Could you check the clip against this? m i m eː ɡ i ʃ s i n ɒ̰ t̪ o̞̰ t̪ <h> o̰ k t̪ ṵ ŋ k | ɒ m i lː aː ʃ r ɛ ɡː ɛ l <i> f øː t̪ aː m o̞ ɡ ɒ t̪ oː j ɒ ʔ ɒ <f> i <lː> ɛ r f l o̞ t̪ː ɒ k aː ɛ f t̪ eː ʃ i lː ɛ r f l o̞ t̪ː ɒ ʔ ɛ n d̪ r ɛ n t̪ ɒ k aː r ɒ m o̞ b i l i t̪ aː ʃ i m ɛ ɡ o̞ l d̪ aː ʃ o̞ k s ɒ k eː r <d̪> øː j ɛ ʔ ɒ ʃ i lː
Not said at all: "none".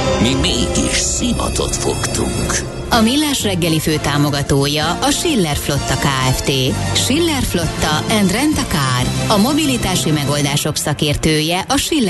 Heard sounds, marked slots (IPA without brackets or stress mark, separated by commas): f, i, ʃ, lː, t̪